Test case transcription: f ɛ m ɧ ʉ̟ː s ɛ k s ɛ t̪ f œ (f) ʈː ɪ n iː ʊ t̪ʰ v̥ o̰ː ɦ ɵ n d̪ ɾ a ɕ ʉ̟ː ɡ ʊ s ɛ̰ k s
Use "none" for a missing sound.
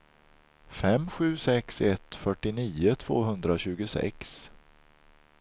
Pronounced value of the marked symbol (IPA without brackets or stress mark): none